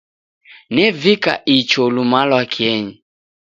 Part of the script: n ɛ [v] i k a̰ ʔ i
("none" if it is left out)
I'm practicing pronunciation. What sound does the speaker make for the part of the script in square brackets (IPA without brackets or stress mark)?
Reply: v